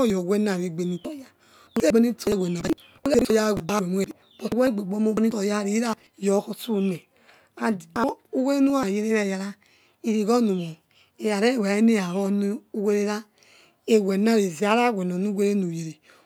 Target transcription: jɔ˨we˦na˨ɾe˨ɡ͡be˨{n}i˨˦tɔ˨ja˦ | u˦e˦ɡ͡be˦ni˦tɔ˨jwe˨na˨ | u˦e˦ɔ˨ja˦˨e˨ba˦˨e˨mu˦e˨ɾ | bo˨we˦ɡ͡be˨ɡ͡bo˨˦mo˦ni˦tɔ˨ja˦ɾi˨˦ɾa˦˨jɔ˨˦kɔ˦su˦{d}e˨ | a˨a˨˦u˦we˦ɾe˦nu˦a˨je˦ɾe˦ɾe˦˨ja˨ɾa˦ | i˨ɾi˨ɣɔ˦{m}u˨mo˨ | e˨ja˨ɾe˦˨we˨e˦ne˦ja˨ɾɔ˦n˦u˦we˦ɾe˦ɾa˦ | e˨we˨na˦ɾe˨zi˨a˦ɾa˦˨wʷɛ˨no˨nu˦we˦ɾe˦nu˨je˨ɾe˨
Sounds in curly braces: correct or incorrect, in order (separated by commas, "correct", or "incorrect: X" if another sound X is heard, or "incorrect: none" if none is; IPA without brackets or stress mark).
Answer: correct, incorrect: n, incorrect: n